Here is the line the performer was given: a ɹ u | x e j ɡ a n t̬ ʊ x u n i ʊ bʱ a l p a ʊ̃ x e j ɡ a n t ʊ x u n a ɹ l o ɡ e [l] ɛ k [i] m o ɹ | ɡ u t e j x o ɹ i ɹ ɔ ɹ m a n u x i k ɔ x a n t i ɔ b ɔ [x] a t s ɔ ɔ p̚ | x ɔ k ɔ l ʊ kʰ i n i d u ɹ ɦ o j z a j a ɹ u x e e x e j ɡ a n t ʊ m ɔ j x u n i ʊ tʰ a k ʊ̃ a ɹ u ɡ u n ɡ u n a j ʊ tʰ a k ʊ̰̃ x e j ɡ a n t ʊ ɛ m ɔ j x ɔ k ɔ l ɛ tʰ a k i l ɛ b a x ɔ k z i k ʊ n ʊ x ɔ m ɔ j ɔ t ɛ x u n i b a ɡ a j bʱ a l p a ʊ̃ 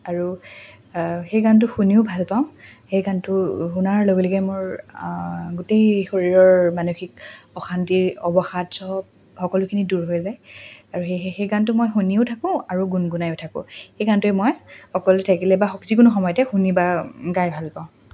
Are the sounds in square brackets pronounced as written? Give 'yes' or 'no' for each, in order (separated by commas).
yes, no, yes